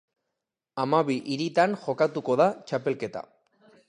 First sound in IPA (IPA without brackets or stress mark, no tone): a